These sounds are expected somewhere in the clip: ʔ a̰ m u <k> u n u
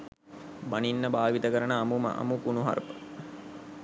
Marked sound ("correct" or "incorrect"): correct